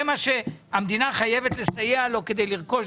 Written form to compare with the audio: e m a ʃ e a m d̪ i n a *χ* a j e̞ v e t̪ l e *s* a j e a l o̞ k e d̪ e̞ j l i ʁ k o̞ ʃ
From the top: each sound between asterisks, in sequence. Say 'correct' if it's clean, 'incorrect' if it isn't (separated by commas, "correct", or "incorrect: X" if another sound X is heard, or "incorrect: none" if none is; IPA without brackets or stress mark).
correct, correct